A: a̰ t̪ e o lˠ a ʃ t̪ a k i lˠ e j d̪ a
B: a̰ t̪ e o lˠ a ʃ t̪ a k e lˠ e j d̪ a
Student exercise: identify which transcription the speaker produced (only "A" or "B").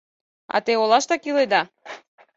A